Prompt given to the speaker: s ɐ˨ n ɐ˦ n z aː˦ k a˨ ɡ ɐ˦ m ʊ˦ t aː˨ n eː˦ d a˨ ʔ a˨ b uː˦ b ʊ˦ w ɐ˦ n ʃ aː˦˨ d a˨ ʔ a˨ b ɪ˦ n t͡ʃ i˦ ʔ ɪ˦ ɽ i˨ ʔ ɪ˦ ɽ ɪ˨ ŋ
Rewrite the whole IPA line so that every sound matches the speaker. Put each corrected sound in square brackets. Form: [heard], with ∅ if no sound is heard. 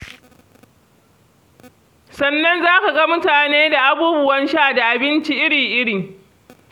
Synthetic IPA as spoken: s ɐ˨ [nː] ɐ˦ n z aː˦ k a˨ ɡ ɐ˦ m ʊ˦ t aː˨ n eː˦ d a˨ ʔ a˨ b uː˦ b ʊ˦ w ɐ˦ n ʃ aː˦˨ d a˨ ʔ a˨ b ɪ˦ n t͡ʃ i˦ ʔ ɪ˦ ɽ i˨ ʔ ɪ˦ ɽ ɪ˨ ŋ